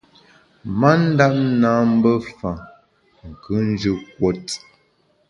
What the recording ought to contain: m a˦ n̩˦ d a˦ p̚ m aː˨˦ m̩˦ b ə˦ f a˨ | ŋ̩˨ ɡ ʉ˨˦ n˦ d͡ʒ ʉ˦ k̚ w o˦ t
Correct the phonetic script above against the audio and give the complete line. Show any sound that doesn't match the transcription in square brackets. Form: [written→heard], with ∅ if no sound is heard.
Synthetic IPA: m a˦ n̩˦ d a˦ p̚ [m→n] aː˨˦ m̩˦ b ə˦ f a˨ | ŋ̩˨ [ɡ→k] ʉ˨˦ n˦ d͡ʒ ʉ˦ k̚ w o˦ t